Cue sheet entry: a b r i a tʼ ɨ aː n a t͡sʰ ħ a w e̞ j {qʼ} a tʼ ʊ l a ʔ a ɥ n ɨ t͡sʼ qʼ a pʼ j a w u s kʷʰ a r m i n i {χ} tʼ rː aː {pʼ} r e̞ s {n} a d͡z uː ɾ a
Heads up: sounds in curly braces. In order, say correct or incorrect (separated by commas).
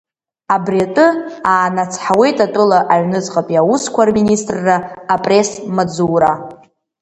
incorrect, incorrect, correct, incorrect